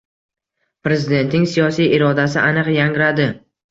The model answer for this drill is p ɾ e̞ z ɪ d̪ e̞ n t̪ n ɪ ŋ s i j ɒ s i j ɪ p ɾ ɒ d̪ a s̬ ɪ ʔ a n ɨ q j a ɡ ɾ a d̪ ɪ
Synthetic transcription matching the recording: p ɾ e̞ z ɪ d̪ e̞ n t̪ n ɪ ŋ s i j ɒ s i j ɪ ɾ ɒ d̪ a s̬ ɪ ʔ a n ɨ q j a ŋ ɾ a d̪ ɪ